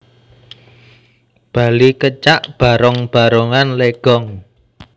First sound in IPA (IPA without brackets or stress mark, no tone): b̥